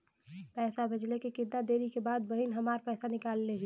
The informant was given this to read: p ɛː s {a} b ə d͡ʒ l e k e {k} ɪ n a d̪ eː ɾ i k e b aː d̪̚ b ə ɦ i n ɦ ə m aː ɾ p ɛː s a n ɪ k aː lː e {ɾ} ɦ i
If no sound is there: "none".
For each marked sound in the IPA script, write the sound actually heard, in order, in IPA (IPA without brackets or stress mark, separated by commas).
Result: a, k, none